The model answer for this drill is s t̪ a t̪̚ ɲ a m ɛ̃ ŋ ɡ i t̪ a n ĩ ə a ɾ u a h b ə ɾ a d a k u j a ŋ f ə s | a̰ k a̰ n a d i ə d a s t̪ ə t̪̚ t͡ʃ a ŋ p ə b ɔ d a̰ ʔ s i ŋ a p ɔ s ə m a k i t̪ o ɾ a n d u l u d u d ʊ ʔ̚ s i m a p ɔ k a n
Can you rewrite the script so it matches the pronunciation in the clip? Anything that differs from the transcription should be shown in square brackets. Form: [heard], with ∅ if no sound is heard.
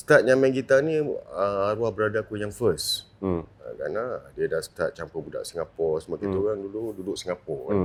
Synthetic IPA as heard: s t̪ a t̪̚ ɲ a m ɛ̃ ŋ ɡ i t̪ a n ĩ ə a ɾ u a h b ə ɾ a d a k u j a ŋ f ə s | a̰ k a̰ n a d i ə d a s t̪ [a] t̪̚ t͡ʃ a [m] p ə b [u] d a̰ ʔ s i ŋ a p ɔ s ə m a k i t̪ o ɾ a [ŋ] d u l u d u d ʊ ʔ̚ s i [ŋ] a p ɔ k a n